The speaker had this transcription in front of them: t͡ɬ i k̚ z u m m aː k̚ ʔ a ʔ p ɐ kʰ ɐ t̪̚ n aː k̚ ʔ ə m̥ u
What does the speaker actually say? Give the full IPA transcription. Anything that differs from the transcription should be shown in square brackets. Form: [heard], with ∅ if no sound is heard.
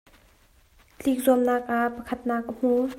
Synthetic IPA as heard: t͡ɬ i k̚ z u m [n] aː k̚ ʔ a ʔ p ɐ kʰ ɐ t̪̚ n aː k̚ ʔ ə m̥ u